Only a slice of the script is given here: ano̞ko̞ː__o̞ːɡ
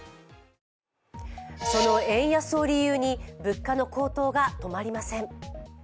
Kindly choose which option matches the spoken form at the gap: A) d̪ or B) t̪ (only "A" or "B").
B